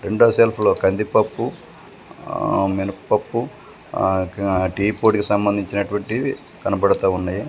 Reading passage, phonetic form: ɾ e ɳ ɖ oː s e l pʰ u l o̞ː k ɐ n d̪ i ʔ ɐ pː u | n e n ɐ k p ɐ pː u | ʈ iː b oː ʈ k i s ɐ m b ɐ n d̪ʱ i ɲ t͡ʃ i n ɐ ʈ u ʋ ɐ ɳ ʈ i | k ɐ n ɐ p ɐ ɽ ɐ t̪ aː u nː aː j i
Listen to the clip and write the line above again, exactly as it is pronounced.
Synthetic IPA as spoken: ɾ e ɳ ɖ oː s e l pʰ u l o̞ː k ɐ n d̪ i p ɐ pː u | m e n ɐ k p ɐ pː u | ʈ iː p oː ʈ k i s ɐ m b ɐ n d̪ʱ i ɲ t͡ʃ i n ɐ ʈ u ʋ ɐ ɳ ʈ i | k ɐ n ɐ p ɐ ɽ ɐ t̪ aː u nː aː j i